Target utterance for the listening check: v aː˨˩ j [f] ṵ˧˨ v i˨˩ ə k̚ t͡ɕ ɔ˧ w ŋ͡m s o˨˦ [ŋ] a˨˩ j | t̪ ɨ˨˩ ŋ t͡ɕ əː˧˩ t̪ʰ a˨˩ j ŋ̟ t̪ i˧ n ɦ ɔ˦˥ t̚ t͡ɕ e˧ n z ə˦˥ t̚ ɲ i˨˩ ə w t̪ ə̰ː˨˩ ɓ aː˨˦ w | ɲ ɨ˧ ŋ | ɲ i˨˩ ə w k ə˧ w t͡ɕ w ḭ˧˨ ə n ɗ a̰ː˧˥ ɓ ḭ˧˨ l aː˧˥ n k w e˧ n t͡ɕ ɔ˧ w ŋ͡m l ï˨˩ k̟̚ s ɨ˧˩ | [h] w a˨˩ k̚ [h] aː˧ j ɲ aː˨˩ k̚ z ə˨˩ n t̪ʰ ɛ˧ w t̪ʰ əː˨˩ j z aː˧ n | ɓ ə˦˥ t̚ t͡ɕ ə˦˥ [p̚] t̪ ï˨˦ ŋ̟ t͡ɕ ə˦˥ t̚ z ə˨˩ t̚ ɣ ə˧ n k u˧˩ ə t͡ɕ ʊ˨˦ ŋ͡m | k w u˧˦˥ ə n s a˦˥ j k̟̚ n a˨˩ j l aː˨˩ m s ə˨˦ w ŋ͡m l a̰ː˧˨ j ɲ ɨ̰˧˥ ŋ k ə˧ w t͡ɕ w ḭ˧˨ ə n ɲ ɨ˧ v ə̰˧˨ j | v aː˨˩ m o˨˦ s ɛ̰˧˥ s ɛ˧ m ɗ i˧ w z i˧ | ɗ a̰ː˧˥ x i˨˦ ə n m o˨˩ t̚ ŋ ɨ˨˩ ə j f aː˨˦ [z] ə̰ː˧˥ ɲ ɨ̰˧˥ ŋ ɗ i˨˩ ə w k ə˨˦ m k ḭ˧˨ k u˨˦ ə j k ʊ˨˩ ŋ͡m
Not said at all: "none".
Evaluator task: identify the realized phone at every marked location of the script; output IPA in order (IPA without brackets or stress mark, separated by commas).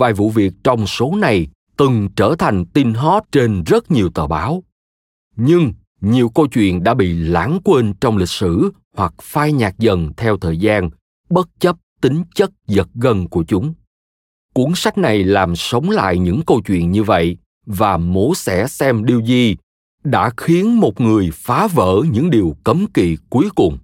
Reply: v, n, h, f, p̚, v